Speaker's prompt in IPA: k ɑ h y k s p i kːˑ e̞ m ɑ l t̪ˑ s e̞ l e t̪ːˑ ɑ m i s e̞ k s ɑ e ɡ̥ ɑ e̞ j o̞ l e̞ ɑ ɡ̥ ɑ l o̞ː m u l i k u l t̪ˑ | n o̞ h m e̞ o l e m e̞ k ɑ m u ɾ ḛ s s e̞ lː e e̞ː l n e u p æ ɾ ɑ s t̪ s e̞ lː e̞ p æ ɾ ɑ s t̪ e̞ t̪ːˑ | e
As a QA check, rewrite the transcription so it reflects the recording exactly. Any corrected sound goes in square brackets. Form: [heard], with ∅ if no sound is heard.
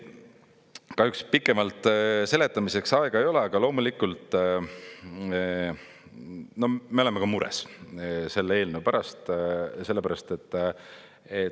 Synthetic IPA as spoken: k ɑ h y k s p i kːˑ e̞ m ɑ l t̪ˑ s e̞ l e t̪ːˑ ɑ m i s e̞ k s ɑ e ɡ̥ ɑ e̞ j o̞ l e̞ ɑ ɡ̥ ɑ l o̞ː m u l i k u l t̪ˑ | n o̞ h m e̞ o l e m e̞ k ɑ m u ɾ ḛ s s e̞ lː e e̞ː l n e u p æ ɾ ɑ s t̪ s e̞ lː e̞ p æ ɾ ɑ s t̪ e̞ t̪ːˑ | e

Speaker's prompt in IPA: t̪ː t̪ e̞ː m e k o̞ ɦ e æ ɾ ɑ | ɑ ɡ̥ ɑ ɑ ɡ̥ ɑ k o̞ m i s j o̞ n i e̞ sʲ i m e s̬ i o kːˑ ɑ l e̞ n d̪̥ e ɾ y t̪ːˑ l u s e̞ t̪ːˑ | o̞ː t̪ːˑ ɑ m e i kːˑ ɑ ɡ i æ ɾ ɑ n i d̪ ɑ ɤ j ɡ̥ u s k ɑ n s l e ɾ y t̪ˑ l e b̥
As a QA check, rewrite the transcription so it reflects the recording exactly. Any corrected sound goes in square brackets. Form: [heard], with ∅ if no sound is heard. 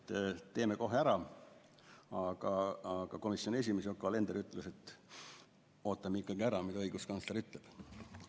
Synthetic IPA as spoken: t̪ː t̪ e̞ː m e k o̞ ɦ e æ ɾ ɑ | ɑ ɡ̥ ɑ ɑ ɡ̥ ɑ k o̞ m i s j o̞ n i e̞ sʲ i m e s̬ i o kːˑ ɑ l e̞ n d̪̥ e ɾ y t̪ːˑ l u s e̞ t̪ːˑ | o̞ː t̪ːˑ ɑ m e i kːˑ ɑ ɡ i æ ɾ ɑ [m] i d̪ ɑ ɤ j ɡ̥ u s k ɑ n s l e ɾ y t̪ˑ l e b̥

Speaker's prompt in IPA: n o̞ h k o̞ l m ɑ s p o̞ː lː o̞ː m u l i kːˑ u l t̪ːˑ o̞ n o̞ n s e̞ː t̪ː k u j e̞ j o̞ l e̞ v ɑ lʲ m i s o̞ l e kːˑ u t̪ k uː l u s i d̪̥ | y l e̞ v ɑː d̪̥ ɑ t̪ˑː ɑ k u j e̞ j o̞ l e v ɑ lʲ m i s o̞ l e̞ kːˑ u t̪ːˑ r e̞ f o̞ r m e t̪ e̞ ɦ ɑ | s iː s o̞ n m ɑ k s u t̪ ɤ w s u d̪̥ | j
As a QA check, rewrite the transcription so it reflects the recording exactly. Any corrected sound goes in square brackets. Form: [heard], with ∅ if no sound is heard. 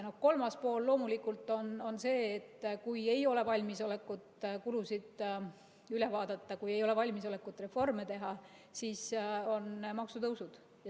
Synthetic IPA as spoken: n o̞ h k o̞ l m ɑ s p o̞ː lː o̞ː m u l i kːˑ u l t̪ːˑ o̞ n o̞ n s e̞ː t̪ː k u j e̞ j o̞ l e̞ v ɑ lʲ m i s o̞ l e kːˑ u t̪ k [u] l u s i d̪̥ | y l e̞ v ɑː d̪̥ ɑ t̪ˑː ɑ k u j e̞ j o̞ l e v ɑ lʲ m i s o̞ l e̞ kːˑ u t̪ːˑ r e̞ f o̞ r m e t̪ e̞ ɦ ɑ | s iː s o̞ n m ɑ k s u t̪ ɤ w s u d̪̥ | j

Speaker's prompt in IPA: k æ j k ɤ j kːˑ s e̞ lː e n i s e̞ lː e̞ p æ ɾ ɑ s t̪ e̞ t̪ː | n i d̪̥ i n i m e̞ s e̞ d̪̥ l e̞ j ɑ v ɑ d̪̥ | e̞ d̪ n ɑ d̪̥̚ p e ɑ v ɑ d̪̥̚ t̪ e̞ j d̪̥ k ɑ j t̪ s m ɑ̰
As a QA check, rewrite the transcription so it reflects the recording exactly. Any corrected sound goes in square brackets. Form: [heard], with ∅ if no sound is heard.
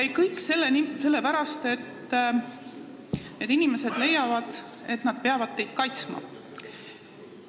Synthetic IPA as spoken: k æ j k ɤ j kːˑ s e̞ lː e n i s e̞ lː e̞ p æ ɾ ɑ s t̪ e̞ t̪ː | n [e] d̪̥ i n i m e̞ s e̞ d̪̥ l e̞ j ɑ v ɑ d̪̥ | e̞ [t̪] n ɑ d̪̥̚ p e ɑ v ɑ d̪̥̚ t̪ e̞ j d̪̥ k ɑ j t̪ s m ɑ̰

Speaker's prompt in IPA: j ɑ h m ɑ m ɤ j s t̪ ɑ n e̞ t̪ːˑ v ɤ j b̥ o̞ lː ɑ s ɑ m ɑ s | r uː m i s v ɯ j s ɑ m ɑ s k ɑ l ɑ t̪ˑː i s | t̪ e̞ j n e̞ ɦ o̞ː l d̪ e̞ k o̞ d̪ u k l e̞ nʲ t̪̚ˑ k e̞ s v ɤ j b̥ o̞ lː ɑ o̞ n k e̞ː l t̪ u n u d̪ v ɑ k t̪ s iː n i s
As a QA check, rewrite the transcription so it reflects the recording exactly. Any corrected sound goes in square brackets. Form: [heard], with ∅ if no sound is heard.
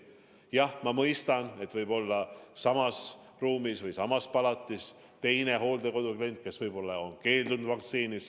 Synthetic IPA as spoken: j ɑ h m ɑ m ɤ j s t̪ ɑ n e̞ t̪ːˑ v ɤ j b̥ o̞ lː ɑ s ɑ m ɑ s | r uː m i s v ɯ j s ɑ m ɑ s [p] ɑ l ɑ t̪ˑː i s | t̪ e̞ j n e̞ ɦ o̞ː l d̪ e̞ k o̞ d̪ u k l e̞ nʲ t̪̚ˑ k e̞ s v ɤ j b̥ o̞ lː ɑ o̞ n k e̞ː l [d̪] u n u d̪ v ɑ k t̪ s iː n i s

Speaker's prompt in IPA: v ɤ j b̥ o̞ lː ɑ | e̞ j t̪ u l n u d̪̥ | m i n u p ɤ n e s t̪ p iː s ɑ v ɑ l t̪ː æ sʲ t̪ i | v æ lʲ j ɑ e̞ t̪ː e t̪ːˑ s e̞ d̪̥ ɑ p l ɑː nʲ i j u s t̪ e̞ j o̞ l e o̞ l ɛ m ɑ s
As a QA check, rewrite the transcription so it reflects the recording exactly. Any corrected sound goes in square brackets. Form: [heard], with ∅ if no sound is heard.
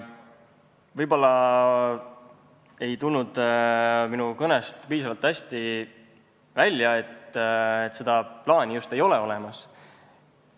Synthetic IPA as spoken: v ɤ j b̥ o̞ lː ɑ | e̞ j t̪ u l n u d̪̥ | m i n u [k] ɤ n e s t̪ p iː s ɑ v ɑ l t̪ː æ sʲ t̪ i | v æ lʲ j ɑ e̞ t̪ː e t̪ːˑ s e̞ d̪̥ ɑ p l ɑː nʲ i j u s t̪ e̞ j o̞ l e o̞ l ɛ m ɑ s

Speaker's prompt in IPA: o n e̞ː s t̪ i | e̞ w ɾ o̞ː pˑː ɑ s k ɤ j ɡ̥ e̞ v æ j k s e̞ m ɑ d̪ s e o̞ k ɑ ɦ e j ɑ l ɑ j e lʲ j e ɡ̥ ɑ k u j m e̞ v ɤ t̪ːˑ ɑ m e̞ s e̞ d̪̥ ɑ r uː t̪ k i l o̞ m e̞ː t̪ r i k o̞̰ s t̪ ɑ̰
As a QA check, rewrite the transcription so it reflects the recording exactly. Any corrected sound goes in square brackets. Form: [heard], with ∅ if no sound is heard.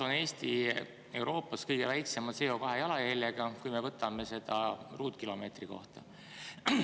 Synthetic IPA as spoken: o n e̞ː s t̪ i | e̞ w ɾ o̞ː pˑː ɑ s k ɤ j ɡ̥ e̞ v æ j k s e̞ m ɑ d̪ s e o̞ k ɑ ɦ e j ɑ l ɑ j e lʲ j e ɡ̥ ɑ k u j m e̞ v ɤ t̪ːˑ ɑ m e̞ s e̞ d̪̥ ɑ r uː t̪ k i l o̞ m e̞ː t̪ r i k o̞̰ [h] t̪ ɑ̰

